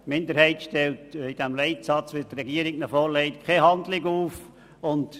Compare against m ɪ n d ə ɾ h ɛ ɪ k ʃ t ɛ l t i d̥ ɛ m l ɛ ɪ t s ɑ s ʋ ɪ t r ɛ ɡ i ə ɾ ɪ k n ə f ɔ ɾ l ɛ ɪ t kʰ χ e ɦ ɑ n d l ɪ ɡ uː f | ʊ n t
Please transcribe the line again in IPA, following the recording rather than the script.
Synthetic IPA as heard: m ɪ n d ə ɾ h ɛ ɪ t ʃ t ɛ l t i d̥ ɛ m l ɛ ɪ t s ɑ t͡s ʋ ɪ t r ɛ ɡ i ə ɾ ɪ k n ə f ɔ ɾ l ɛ ɪ t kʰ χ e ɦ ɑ n d l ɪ ɡ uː f | ʊ n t